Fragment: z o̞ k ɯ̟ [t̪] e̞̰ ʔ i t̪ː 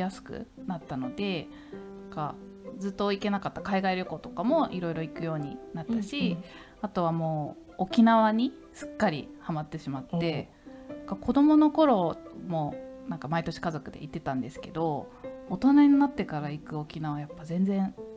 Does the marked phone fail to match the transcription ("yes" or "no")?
yes